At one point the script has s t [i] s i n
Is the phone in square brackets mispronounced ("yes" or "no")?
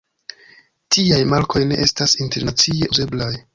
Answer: yes